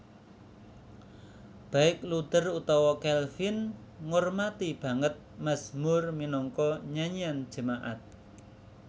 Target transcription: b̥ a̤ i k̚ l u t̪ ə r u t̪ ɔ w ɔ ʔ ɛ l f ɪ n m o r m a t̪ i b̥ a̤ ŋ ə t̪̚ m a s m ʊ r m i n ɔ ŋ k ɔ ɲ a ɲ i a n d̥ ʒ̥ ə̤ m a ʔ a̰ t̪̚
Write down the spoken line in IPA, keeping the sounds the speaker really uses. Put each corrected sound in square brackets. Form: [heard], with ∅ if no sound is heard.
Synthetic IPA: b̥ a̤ [ɪ] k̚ l u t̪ ə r u t̪ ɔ w ɔ [k] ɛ l f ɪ n [ŋ] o r m a t̪ i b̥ a̤ ŋ ə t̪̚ m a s m ʊ r m i n ɔ ŋ k ɔ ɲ a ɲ i a n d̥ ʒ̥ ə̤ m a ʔ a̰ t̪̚

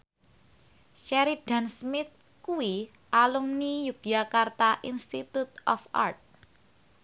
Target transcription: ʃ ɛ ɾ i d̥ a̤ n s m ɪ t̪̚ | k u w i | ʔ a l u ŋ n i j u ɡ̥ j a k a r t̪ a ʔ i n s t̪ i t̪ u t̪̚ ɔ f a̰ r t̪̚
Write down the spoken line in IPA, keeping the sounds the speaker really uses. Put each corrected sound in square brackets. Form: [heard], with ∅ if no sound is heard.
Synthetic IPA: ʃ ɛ ɾ i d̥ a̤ n s m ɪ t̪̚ | k u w i | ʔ a l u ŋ n i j u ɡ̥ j a k a r t̪ a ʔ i n s t̪ i t̪ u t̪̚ ɔ f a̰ r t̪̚

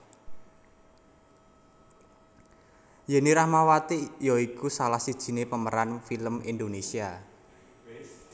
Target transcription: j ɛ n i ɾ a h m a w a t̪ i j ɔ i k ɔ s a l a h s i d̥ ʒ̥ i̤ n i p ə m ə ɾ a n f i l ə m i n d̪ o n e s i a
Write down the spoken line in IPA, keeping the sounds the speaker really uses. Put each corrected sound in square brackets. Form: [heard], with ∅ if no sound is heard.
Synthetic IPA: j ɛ n i ɾ a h m a w a t̪ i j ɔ i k [u] s a l a h s i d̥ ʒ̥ i̤ n [e] p ə m ə ɾ a n f i l ə m i n d̪ o n e s i a

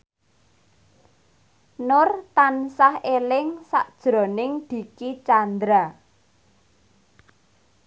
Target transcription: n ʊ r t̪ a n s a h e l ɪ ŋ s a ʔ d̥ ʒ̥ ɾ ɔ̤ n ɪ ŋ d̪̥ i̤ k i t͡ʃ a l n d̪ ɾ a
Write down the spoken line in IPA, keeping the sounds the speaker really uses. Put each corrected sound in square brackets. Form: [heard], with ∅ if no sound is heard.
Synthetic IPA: n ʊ r t̪ a n s a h e l ɪ ŋ s a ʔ d̥ ʒ̥ ɾ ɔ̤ n ɪ ŋ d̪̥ i̤ k i t͡ʃ a [∅] n d̪ ɾ a

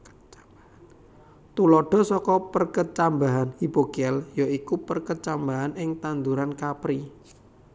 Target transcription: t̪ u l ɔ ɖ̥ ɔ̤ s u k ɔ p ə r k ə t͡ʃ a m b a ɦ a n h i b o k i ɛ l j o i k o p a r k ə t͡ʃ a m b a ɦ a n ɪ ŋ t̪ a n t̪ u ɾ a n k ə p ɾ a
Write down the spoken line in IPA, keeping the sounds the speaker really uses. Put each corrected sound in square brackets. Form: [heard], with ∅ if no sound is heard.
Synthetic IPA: t̪ u l ɔ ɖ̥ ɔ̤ s [ɔ] k ɔ p ə r k ə t͡ʃ a m b a ɦ a n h i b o k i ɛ l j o i k [u] p [ə] r k ə t͡ʃ a m b a ɦ a n ɪ ŋ t̪ a n [d̪] u ɾ a n k [a] p ɾ [i]

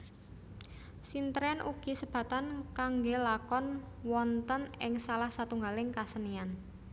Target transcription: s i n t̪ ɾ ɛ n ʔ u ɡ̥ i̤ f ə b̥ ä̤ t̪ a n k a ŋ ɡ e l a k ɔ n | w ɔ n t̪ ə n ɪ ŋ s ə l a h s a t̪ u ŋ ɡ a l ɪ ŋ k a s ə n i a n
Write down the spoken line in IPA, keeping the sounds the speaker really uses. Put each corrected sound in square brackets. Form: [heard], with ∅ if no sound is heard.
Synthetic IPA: s i n t̪ ɾ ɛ n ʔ u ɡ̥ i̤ [s] ə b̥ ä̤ t̪ a n k a ŋ ɡ e l a k ɔ n | w ɔ n t̪ ə n ɪ ŋ s [a] l a h s a t̪ u ŋ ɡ a l ɪ ŋ k a s ə n i a n

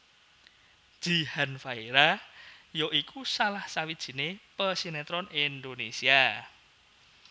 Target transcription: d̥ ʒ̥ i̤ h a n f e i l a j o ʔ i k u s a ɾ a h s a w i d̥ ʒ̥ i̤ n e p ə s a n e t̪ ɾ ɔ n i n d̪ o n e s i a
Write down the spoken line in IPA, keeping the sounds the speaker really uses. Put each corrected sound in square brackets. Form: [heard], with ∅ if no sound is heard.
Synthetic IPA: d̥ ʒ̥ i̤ h a n f [a] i [ɾ] a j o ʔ i k u s a [l] a h s a w i d̥ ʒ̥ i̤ n e p ə s [i] n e t̪ ɾ ɔ n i n d̪ o n e s i a

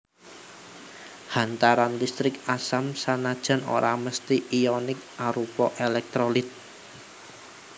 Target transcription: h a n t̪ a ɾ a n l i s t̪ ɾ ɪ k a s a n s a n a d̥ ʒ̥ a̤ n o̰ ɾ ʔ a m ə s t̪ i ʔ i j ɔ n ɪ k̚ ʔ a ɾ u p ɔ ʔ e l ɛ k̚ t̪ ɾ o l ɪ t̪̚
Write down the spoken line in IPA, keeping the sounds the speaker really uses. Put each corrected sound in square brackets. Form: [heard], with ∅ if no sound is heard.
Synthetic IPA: h a n t̪ a ɾ a n l i s t̪ ɾ ɪ k a s a [m] s a n a d̥ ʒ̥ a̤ n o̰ ɾ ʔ a m ə s t̪ i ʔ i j ɔ n ɪ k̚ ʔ a ɾ u p ɔ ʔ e l ɛ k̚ t̪ ɾ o l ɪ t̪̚

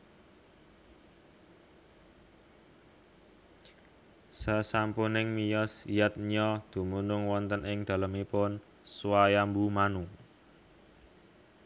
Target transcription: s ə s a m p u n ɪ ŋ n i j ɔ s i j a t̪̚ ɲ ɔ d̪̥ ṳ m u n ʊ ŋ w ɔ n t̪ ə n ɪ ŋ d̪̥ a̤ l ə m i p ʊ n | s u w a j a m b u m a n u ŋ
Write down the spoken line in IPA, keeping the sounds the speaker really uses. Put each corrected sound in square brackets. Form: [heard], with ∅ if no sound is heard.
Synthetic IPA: s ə s a m p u n ɪ ŋ [m] i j ɔ s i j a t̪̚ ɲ ɔ d̪̥ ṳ m u n ʊ ŋ w ɔ n t̪ ə n ɪ ŋ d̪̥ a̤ l ə m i p ʊ n | s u w a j a m b u m a n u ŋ

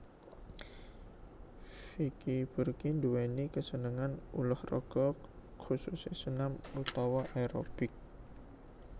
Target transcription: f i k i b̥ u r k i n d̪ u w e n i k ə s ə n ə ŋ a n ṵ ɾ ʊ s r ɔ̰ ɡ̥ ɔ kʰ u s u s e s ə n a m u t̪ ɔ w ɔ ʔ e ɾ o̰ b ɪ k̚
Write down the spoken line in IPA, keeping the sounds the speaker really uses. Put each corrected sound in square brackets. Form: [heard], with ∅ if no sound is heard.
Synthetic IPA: f i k i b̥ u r k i n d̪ u w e n i k ə s ə n ə ŋ a n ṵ [l] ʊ [h] r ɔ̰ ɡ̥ ɔ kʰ u s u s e s ə n a m u t̪ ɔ w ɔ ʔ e ɾ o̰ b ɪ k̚

